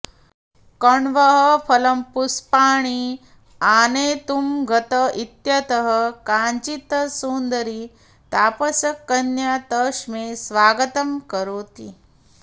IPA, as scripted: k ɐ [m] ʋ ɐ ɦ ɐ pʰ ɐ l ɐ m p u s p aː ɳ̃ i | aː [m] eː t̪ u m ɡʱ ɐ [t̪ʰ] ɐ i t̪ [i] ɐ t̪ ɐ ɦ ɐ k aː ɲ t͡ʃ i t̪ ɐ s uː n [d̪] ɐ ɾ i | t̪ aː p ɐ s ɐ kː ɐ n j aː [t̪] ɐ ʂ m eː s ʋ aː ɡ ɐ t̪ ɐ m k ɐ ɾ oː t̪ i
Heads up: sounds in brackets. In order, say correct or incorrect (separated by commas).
incorrect, incorrect, incorrect, incorrect, correct, correct